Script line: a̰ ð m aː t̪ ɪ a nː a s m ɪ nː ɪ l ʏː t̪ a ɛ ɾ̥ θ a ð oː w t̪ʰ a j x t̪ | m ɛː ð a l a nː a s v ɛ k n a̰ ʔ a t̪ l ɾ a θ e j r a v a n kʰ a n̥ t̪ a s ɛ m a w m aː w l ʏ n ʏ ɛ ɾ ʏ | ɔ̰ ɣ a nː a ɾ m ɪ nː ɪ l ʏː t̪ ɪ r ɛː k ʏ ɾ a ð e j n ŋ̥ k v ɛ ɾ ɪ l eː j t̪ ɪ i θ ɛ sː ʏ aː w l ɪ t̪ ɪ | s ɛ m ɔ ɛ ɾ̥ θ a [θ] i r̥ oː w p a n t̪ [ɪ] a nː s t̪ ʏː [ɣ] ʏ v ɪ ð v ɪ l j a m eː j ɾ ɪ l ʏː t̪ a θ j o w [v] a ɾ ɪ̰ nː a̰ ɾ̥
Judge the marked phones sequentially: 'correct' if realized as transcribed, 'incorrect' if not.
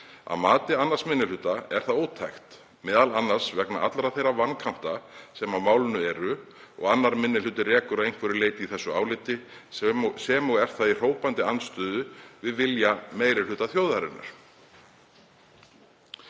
incorrect, correct, incorrect, incorrect

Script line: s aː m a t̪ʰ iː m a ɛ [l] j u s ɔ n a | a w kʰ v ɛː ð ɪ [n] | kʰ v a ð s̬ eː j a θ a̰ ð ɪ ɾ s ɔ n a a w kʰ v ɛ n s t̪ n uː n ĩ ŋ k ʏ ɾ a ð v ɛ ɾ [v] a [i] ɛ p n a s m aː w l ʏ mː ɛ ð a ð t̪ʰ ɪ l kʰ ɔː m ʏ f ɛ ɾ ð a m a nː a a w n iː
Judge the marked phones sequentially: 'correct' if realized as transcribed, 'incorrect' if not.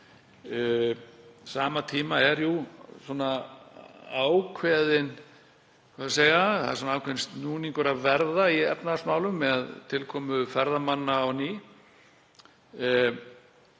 incorrect, correct, incorrect, correct

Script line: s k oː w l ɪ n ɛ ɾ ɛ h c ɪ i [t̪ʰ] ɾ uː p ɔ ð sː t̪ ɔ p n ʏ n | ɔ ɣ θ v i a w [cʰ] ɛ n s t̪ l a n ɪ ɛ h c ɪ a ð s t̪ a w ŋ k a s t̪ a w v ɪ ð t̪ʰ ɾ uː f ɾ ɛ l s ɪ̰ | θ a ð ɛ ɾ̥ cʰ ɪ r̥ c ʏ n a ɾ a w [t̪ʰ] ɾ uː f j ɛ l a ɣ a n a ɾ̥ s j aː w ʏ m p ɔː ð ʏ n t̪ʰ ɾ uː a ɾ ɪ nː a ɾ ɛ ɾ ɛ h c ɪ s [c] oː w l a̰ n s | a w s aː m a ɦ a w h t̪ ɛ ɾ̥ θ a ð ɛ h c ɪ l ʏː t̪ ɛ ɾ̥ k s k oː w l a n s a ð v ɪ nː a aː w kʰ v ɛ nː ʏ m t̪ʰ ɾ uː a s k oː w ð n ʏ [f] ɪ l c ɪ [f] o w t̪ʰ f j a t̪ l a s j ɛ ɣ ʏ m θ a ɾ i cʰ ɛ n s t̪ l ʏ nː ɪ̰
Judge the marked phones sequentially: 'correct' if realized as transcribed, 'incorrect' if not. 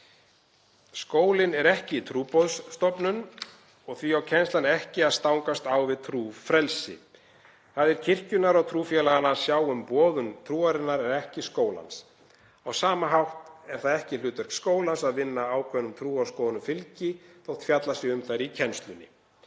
correct, correct, correct, incorrect, correct, incorrect

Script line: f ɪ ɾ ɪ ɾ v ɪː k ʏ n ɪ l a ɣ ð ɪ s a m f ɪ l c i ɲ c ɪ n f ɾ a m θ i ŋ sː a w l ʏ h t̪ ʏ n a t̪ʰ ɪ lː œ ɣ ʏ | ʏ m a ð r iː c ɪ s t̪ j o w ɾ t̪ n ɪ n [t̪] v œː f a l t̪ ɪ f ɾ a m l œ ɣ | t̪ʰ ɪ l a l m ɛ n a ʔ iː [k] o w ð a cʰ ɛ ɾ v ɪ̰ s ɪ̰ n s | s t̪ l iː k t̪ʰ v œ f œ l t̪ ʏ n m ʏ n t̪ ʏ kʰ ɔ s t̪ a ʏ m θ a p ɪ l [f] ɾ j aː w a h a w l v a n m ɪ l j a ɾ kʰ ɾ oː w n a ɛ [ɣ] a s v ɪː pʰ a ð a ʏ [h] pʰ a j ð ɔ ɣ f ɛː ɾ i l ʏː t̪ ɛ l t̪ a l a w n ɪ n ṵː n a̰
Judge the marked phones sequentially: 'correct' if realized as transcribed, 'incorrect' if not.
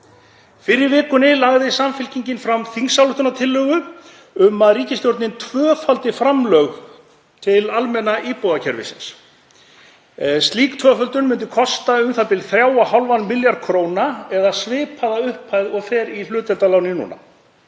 incorrect, incorrect, incorrect, incorrect, correct

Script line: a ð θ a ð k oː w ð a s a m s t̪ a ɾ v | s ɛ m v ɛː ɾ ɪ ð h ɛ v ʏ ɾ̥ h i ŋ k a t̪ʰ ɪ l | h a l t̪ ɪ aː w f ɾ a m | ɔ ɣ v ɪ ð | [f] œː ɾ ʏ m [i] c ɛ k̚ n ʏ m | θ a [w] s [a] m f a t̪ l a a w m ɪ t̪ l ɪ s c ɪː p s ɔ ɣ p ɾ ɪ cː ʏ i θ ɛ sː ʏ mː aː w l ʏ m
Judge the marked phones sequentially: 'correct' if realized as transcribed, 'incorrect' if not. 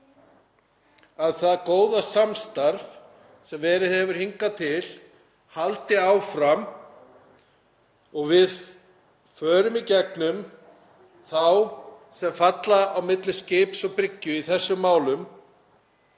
correct, correct, correct, incorrect

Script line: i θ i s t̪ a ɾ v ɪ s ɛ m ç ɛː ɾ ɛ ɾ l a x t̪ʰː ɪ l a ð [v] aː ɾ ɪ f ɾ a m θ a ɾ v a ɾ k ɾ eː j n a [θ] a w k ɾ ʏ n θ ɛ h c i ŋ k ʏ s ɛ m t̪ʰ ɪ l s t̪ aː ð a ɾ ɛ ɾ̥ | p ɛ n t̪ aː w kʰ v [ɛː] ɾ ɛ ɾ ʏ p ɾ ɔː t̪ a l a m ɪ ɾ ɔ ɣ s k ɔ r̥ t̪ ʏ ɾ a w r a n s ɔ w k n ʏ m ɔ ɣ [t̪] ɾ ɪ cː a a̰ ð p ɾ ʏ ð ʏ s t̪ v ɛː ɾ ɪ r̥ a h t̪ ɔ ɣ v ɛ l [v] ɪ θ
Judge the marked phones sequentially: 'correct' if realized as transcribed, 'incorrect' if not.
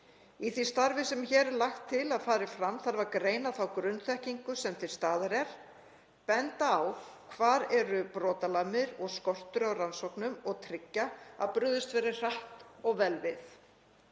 incorrect, correct, incorrect, incorrect, correct

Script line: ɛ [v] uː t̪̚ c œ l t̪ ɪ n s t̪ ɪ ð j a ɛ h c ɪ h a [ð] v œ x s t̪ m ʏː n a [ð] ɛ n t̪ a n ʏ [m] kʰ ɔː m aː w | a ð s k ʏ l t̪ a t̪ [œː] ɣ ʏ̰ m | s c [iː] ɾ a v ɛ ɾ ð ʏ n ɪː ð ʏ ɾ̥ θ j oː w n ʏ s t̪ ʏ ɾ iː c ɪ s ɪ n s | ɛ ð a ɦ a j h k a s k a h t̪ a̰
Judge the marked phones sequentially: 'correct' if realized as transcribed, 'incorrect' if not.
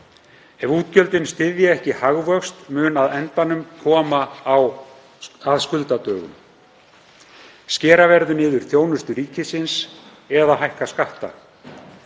correct, incorrect, correct, correct, correct, incorrect

